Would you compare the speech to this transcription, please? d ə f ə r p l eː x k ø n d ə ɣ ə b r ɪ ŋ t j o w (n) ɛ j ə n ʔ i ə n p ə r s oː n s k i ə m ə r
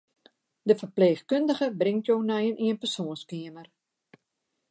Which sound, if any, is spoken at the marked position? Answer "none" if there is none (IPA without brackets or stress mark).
n